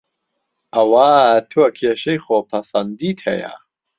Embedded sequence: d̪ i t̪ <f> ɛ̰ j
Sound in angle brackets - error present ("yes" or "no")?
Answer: yes